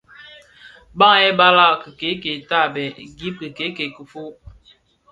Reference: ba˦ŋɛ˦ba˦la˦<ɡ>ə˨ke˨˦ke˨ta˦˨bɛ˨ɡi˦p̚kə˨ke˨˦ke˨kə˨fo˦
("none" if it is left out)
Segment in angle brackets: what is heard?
k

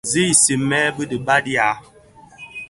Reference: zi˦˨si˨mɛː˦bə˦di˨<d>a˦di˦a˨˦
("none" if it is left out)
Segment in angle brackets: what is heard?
b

